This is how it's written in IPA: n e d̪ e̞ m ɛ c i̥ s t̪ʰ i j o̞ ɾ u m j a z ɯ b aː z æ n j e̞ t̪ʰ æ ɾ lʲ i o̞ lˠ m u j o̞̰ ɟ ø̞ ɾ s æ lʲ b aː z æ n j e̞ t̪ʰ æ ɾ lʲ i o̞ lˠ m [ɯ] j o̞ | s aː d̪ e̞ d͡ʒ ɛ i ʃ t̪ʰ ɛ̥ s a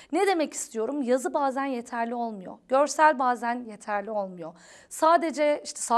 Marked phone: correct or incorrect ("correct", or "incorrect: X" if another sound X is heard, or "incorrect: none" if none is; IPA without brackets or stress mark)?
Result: incorrect: u